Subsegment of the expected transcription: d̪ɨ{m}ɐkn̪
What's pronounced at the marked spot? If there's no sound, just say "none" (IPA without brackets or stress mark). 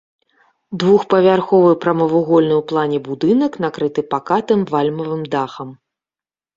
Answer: n